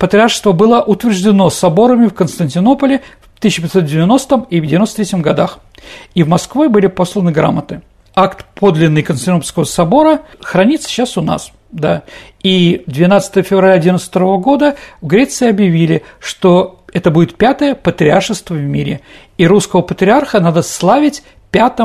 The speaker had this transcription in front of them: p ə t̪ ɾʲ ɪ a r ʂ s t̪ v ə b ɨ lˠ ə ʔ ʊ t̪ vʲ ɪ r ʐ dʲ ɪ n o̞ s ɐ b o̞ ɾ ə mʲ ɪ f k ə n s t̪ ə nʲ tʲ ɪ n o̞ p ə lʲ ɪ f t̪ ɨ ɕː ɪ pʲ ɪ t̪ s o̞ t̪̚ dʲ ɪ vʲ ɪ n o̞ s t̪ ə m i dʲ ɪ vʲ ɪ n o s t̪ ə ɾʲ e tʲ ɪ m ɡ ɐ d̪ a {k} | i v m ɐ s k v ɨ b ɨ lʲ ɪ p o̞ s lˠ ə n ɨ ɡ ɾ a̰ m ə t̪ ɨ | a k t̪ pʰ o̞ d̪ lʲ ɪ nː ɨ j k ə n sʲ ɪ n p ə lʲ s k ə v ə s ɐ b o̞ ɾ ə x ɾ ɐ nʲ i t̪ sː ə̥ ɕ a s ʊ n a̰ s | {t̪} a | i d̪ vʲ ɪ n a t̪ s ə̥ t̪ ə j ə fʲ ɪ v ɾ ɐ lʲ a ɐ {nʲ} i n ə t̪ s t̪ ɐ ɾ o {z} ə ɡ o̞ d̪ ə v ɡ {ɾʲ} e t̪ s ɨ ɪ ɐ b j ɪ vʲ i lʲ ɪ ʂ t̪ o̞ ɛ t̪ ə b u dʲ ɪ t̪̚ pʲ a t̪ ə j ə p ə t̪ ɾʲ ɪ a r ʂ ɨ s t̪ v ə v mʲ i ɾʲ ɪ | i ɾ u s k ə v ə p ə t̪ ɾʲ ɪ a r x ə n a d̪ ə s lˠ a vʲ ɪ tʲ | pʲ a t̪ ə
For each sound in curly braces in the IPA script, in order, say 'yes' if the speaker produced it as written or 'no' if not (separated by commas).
no, no, no, no, yes